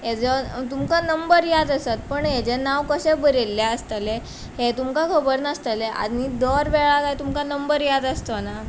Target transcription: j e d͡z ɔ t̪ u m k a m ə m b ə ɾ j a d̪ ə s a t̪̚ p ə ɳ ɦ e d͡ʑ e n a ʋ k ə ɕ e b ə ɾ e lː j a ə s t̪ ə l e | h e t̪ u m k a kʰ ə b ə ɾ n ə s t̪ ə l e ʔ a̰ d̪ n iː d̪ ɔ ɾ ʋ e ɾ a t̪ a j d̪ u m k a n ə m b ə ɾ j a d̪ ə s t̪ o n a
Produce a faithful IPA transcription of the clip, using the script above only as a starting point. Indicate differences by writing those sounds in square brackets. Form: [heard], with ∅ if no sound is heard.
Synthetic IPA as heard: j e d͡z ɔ t̪ u m k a [n] ə m b ə ɾ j a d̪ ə s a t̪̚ p ə ɳ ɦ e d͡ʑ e n a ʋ k ə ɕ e b ə ɾ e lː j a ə s t̪ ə l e | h e t̪ u m k a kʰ ə b ə ɾ n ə s t̪ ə l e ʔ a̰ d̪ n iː d̪ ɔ ɾ ʋ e [ɭ] a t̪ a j [t̪] u m k a n ə m b ə ɾ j a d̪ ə s t̪ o n a